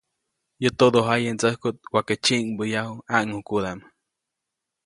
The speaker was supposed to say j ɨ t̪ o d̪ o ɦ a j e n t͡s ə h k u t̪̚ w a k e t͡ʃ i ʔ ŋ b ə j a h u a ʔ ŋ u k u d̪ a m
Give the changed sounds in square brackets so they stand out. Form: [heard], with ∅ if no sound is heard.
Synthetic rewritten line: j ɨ t̪ o d̪ o ɦ a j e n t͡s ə h k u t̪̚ w a k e t͡ʃ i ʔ ŋ b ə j a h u a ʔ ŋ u k u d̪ a m

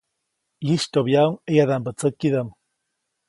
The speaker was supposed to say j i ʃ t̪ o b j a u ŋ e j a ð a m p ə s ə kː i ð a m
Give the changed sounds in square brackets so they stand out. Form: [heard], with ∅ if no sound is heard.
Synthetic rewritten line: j i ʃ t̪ o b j a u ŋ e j a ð a m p ə [t͡s] ə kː i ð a m

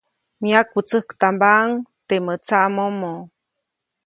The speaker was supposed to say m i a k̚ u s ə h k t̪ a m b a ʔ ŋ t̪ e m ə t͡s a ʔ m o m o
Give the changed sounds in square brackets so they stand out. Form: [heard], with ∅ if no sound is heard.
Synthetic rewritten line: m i a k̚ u [t͡s] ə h k t̪ a m b a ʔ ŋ t̪ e m ə t͡s a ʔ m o m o

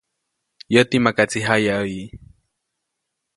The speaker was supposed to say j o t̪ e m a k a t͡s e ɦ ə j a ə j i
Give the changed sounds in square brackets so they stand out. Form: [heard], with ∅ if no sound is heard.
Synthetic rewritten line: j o t̪ [i] m a k a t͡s [i] ɦ [a] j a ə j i

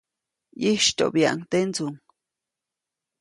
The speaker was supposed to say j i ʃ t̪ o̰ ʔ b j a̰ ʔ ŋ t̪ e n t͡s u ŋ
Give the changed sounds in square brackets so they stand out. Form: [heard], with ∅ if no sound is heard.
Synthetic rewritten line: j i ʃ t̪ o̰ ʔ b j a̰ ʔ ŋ t̪ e n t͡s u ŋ

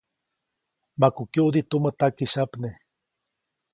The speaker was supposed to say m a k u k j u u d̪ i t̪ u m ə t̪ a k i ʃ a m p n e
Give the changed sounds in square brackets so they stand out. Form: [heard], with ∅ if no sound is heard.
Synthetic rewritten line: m a k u k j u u d̪ i t̪ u m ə t̪ a k i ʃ a [∅] p n e

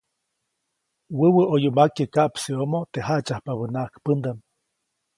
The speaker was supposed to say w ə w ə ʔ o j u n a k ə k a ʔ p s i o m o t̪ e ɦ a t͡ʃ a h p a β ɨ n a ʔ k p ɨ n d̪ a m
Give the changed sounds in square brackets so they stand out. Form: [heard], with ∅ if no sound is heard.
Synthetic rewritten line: w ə w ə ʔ o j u [m] a k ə k a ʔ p s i o m o t̪ e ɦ a t͡ʃ a h p a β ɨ n a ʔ k p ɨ n d̪ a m

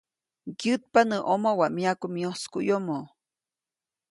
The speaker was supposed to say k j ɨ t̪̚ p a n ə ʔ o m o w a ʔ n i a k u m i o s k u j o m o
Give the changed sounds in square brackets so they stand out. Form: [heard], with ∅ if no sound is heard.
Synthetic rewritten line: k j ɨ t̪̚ p a n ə ʔ o m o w a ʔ [m] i a k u m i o s k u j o m o

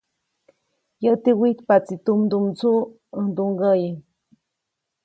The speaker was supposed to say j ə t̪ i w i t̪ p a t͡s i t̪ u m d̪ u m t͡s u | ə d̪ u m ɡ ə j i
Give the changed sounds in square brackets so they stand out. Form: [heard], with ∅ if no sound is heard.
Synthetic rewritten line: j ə t̪ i w i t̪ p a t͡s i t̪ u m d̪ u m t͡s u | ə d̪ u [ŋ] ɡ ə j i

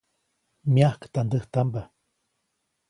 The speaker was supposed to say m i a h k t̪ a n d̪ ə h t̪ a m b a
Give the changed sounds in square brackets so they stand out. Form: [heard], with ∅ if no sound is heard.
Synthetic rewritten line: m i a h k t̪ a n d̪ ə h t̪ a m b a

